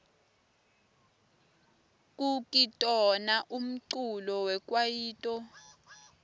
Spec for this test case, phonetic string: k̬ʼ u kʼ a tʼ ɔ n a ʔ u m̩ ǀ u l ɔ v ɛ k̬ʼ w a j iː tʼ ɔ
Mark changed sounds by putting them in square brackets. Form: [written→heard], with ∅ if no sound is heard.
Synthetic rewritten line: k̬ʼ u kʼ [a→i] tʼ ɔ n a ʔ u m̩ ǀ u l ɔ [v→w] ɛ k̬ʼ w a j iː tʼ ɔ